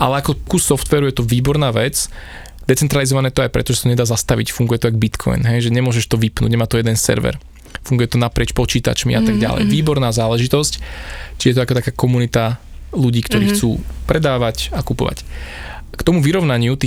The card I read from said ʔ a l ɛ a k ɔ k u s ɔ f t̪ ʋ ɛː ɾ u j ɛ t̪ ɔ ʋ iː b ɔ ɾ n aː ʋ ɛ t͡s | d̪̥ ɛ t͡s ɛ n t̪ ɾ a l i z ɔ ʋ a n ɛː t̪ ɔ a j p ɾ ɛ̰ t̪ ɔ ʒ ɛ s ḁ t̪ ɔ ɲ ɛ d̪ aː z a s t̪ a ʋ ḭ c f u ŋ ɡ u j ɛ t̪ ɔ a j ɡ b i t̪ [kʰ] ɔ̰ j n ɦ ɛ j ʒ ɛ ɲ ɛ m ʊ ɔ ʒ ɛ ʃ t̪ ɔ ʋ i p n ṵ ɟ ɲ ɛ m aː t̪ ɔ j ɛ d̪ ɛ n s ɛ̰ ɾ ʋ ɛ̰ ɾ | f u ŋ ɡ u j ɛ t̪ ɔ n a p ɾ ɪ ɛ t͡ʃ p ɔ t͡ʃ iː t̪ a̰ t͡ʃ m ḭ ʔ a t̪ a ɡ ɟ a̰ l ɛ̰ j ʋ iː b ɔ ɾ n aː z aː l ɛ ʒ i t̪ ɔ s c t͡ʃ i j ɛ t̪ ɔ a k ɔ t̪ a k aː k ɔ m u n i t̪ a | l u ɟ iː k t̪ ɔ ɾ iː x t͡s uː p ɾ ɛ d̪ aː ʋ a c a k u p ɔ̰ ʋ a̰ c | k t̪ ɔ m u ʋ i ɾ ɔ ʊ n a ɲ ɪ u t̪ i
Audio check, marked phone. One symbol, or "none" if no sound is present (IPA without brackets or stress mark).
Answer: kʰ